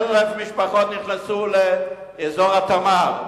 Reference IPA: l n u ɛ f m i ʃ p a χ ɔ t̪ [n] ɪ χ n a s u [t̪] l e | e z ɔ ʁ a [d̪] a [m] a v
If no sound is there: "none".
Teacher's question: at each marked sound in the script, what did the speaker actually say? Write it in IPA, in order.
n, none, t̪, m

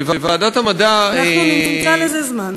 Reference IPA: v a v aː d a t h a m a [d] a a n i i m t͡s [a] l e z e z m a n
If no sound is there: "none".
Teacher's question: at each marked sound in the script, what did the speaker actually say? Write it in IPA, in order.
d, a

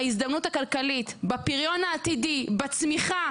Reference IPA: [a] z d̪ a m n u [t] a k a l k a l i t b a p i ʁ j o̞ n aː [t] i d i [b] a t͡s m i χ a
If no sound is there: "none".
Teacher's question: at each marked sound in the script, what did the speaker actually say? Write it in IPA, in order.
i, t, t, b

